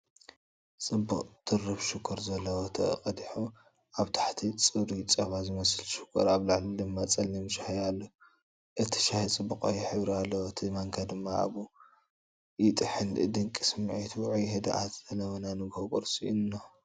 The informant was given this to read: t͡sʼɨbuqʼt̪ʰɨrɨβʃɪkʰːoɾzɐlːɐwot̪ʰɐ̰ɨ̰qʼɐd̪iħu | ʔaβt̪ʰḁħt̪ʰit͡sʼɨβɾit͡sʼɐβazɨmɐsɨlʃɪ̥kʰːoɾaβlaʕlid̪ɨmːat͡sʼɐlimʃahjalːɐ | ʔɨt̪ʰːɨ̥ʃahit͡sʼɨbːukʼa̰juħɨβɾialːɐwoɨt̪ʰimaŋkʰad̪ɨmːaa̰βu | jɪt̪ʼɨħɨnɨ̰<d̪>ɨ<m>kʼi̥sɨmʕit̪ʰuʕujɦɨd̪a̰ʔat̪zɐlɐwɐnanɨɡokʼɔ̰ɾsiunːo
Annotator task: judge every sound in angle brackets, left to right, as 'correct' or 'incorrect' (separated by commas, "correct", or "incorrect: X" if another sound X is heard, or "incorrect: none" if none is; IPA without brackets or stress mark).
correct, incorrect: ŋ